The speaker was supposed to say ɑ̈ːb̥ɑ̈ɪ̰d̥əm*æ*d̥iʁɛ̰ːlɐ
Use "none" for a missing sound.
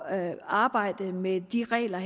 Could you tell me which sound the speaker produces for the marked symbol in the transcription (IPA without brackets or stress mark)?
e